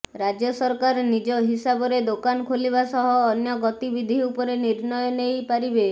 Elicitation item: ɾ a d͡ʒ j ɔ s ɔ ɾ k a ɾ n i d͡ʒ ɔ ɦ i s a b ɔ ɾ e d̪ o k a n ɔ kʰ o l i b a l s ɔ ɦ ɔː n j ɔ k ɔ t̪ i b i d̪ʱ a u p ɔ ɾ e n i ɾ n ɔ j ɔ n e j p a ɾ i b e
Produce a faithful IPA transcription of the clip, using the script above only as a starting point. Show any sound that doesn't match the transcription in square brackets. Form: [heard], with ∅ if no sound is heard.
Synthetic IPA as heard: ɾ a d͡ʒ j ɔ s ɔ ɾ k a ɾ n i d͡ʒ ɔ ɦ i s a b ɔ ɾ e d̪ o k a n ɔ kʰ o l i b a [∅] s ɔ ɦ ɔː n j ɔ [ɡ] ɔ t̪ i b i d̪ʱ [i] u p ɔ ɾ e n i ɾ n ɔ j ɔ n e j p a ɾ i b e